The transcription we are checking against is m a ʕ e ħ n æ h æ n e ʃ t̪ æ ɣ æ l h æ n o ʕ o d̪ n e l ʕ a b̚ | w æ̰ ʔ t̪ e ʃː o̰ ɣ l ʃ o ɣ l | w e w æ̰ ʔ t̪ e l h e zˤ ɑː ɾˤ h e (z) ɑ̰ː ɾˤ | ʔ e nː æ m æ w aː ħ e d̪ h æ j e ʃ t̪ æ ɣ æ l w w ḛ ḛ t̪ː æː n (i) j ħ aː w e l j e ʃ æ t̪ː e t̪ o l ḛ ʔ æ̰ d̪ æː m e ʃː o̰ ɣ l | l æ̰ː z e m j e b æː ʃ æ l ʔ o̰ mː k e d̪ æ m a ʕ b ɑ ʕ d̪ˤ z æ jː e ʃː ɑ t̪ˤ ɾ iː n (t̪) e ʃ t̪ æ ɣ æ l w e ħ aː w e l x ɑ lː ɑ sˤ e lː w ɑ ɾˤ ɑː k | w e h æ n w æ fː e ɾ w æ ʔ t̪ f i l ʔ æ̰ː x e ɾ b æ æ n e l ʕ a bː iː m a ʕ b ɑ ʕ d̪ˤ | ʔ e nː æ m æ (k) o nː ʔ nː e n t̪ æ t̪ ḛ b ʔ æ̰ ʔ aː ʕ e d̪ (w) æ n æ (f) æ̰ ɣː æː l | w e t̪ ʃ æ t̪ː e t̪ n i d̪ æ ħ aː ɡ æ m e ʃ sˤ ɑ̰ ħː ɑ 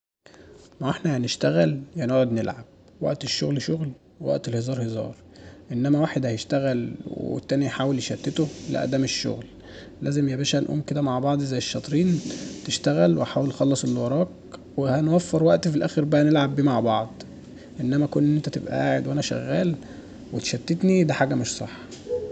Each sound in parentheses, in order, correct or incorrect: correct, correct, correct, correct, correct, incorrect

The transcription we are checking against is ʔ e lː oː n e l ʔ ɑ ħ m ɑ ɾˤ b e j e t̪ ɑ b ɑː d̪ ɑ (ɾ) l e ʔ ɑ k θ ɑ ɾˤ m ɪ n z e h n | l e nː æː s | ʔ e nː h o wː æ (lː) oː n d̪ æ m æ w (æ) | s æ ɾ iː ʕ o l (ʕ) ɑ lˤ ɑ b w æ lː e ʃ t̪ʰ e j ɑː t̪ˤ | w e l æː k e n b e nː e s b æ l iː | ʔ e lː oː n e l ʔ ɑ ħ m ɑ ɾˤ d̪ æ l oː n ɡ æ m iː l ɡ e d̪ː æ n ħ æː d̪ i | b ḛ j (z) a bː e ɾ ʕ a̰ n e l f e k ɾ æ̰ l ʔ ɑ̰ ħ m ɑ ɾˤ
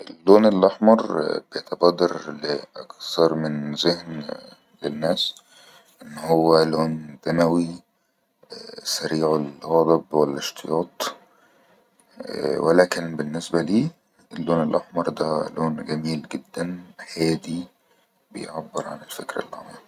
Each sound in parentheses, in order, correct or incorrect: correct, incorrect, incorrect, incorrect, incorrect

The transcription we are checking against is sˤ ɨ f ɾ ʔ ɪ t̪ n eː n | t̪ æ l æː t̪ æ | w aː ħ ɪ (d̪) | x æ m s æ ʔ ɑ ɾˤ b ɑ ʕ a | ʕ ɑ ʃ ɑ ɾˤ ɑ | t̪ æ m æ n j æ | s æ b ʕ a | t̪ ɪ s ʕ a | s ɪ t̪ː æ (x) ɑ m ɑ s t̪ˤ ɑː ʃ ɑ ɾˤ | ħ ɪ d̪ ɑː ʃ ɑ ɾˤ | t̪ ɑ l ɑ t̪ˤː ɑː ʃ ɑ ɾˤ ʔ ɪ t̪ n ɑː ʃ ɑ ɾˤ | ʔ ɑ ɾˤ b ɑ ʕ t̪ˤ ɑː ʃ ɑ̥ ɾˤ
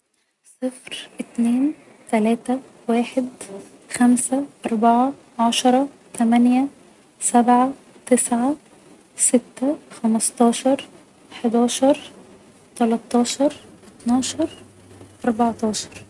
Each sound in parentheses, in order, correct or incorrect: correct, correct

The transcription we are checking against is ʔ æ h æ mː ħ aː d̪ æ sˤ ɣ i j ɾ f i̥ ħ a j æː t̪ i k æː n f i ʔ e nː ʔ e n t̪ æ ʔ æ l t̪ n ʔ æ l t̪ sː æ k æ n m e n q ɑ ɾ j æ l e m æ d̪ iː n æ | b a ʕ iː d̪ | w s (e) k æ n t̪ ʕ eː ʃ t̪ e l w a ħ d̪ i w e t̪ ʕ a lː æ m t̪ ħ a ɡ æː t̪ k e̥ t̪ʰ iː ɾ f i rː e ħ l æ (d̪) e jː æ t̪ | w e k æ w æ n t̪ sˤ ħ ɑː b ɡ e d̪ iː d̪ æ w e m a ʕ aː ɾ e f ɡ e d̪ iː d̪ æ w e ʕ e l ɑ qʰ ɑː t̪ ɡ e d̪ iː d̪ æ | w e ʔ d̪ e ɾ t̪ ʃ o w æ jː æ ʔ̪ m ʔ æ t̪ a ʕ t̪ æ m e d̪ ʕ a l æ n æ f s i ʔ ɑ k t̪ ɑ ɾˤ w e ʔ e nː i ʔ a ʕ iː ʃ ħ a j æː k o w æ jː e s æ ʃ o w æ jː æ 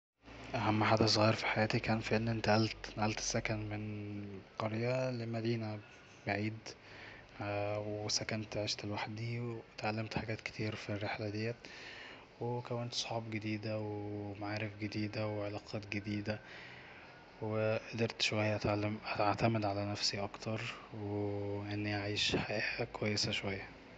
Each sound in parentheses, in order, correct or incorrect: incorrect, correct

